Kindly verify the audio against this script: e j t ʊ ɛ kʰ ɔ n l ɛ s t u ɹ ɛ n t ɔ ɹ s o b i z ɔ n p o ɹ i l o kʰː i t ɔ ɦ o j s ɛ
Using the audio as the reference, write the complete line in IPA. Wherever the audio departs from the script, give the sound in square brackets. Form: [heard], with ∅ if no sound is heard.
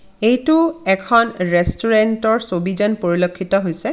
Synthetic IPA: e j t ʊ ɛ kʰ ɔ n [ɹ] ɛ s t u ɹ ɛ n t ɔ ɹ s o b i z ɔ n p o ɹ i l o kʰː i t ɔ ɦ o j s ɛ